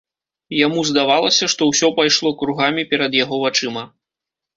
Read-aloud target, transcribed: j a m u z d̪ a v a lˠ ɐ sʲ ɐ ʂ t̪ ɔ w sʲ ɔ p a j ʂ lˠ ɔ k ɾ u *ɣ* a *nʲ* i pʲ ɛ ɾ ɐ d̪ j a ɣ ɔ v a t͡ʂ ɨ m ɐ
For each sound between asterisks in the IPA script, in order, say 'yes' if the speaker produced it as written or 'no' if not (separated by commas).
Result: yes, no